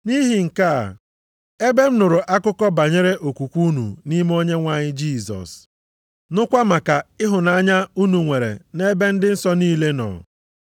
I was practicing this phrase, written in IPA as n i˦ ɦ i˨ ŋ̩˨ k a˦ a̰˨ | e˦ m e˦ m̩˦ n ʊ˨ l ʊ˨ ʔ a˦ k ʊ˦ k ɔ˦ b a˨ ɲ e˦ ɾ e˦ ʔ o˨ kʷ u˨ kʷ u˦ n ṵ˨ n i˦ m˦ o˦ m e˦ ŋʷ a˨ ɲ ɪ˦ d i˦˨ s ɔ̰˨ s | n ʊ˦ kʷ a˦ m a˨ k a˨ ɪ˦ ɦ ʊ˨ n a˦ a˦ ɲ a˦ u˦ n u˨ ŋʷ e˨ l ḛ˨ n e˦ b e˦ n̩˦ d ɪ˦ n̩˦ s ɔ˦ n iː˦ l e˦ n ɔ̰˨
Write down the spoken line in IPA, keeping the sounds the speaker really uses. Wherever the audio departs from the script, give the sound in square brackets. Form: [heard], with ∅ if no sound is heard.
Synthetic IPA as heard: n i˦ ɦ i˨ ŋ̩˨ k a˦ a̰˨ | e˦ [b] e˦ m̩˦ n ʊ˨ [ɾ] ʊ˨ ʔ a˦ k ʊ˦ k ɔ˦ b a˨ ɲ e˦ ɾ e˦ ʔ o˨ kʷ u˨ kʷ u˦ n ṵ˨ n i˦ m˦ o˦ [ɲ] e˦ ŋʷ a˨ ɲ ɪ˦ [d͡ʒ] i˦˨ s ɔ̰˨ s | n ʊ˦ kʷ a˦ m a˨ k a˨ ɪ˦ ɦ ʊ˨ n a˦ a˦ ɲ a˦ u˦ n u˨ ŋʷ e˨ [ɾ] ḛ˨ n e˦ b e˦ n̩˦ d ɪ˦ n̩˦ s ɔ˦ n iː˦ l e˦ n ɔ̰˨